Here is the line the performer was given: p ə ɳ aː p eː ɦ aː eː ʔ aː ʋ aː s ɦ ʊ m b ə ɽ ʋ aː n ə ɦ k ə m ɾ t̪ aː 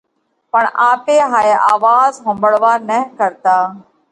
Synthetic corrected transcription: p ə ɳ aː p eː ɦ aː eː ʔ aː ʋ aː z ɦ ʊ m b ə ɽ ʋ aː n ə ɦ k ə ɾ t̪ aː